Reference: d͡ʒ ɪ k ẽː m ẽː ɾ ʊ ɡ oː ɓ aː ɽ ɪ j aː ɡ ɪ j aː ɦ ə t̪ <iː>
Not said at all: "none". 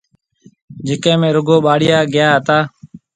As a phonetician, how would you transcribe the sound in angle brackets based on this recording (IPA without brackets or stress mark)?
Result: aː